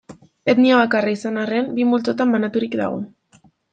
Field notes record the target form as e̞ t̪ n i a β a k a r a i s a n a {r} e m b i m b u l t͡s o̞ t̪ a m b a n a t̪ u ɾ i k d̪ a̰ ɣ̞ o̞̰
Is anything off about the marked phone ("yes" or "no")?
no